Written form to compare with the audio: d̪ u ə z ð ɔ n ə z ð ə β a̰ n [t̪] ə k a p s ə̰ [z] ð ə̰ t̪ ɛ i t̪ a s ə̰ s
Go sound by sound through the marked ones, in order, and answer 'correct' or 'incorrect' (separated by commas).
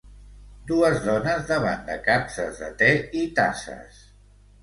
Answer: incorrect, correct